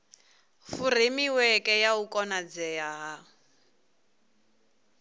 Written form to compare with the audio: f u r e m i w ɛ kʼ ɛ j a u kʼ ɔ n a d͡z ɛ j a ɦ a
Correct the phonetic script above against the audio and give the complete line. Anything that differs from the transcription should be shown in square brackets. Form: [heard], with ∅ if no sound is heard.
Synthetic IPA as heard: f u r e m i w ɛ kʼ ɛ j a u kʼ ɔ n a d͡z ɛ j a ɦ a